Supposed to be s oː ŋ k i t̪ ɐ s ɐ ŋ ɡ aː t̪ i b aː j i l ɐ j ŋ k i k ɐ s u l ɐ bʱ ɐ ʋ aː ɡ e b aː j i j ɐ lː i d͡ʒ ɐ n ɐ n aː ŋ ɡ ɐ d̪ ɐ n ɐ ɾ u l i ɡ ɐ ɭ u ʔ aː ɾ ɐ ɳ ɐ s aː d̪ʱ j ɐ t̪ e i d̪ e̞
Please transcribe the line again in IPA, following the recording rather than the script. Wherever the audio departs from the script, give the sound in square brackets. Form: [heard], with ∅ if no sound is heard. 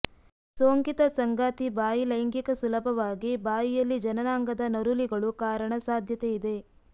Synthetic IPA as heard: s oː ŋ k i t̪ ɐ s ɐ ŋ ɡ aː t̪ i b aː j i l ɐ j ŋ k i k ɐ s u l ɐ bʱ ɐ ʋ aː ɡ [i] b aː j i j ɐ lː i d͡ʒ ɐ n ɐ n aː ŋ ɡ ɐ d̪ ɐ n ɐ ɾ u l i ɡ ɐ ɭ u [k] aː ɾ ɐ ɳ ɐ s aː d̪ʱ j ɐ t̪ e i d̪ e̞

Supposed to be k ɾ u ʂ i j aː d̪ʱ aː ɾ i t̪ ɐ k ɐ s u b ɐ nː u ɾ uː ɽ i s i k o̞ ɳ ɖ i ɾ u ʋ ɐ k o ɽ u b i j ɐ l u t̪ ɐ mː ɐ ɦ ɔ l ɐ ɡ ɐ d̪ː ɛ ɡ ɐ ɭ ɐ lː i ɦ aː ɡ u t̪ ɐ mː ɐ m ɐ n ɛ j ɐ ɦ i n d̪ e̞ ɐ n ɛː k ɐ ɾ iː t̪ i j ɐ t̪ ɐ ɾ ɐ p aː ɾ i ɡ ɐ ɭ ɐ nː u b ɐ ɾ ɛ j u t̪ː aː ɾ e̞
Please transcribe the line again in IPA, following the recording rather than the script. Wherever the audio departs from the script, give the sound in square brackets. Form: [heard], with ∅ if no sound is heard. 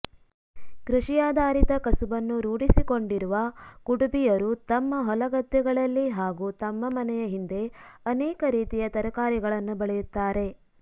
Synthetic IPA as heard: k ɾ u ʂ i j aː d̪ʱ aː ɾ i t̪ ɐ k ɐ s u b ɐ nː u ɾ uː ɽ i s i k o̞ ɳ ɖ i ɾ u ʋ ɐ k [u] ɽ u b i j ɐ [ɾ] u t̪ ɐ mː ɐ ɦ ɔ l ɐ ɡ ɐ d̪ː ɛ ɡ ɐ ɭ ɐ lː i ɦ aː ɡ u t̪ ɐ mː ɐ m ɐ n ɛ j ɐ ɦ i n d̪ e̞ ɐ n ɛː k ɐ ɾ iː t̪ i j ɐ t̪ ɐ ɾ ɐ [k] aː ɾ i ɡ ɐ ɭ ɐ nː u b ɐ [ɭ] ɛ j u t̪ː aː ɾ e̞

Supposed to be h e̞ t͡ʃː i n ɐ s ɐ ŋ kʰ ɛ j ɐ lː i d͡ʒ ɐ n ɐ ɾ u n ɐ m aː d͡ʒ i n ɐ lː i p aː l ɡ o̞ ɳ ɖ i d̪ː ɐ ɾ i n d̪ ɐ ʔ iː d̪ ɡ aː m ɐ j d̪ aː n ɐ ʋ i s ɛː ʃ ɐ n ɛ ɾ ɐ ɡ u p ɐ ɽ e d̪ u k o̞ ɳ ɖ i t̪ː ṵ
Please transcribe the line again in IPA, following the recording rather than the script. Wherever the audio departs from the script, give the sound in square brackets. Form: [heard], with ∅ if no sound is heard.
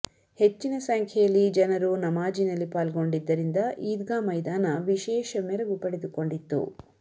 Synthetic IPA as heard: h e̞ t͡ʃː i n ɐ s ɐ ŋ kʰ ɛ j ɐ lː i d͡ʒ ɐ n ɐ ɾ u n ɐ m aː d͡ʒ i n ɐ lː i p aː l ɡ o̞ ɳ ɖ i d̪ː ɐ ɾ i n d̪ ɐ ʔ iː d̪ ɡ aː m ɐ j d̪ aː n ɐ ʋ i [ʃ] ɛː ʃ ɐ [m] ɛ ɾ ɐ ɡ u p ɐ ɽ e d̪ u k o̞ ɳ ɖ i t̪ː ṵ

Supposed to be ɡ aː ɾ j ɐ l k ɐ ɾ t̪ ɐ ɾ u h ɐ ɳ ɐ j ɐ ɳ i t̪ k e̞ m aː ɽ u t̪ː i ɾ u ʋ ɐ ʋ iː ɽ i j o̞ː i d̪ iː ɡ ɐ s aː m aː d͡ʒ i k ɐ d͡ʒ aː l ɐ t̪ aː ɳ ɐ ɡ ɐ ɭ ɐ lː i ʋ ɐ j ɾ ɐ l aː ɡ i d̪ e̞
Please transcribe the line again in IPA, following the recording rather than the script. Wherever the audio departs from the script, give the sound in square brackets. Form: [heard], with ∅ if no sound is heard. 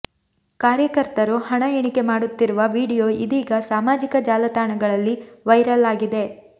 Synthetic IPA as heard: [k] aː ɾ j ɐ [∅] k ɐ ɾ t̪ ɐ ɾ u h ɐ ɳ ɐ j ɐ ɳ i [∅] k e̞ m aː ɽ u t̪ː i ɾ u ʋ ɐ ʋ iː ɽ i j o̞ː i d̪ iː ɡ ɐ s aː m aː d͡ʒ i k ɐ d͡ʒ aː l ɐ t̪ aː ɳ ɐ ɡ ɐ ɭ ɐ lː i ʋ ɐ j ɾ ɐ l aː ɡ i d̪ e̞

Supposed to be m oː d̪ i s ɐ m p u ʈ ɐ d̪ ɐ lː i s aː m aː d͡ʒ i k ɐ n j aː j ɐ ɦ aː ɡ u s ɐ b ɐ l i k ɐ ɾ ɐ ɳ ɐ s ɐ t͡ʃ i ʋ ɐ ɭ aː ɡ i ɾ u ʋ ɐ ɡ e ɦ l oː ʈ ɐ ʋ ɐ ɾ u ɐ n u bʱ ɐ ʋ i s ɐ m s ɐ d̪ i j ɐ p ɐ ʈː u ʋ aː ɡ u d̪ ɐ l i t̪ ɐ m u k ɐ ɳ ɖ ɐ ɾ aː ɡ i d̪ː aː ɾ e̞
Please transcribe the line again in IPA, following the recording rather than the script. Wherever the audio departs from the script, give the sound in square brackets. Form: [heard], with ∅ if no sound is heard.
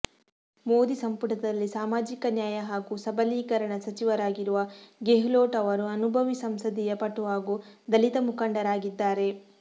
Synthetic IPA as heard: m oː d̪ i s ɐ m p u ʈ ɐ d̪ ɐ lː i s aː m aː d͡ʒ i k ɐ n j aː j ɐ ɦ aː ɡ u s ɐ b ɐ l [iː] k ɐ ɾ ɐ ɳ ɐ s ɐ t͡ʃ i ʋ ɐ [ɾ] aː ɡ i ɾ u ʋ ɐ ɡ e ɦ l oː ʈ ɐ ʋ ɐ ɾ u ɐ n u bʱ ɐ ʋ i s ɐ m s ɐ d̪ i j ɐ p ɐ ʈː u ʋ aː ɡ u d̪ ɐ l i t̪ ɐ m u k ɐ ɳ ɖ ɐ ɾ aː ɡ i d̪ː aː ɾ e̞

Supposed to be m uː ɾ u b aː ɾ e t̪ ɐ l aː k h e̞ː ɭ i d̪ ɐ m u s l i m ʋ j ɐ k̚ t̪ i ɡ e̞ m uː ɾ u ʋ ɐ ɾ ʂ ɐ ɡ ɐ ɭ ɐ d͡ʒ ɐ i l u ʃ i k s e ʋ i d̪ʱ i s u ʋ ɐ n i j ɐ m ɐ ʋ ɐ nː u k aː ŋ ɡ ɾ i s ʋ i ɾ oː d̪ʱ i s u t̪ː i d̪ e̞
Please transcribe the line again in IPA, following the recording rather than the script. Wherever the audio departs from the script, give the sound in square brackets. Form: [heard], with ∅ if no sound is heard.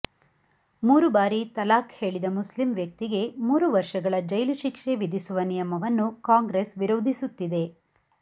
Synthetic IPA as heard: m uː ɾ u b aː ɾ [i] t̪ ɐ l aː k h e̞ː ɭ i d̪ ɐ m u s l i m ʋ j ɐ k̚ t̪ i ɡ e̞ m uː ɾ u ʋ ɐ ɾ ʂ ɐ ɡ ɐ ɭ ɐ d͡ʒ ɐ [j] l u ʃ i k [ʂ] e ʋ i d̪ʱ i s u ʋ ɐ n i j ɐ m ɐ ʋ ɐ nː u k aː ŋ ɡ ɾ [e] s ʋ i ɾ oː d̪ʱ i s u t̪ː i d̪ e̞

